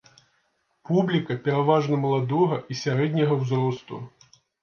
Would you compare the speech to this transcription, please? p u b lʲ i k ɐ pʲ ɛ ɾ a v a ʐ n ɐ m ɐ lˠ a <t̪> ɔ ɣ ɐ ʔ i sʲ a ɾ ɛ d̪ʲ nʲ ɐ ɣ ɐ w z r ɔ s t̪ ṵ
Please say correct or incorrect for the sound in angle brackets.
incorrect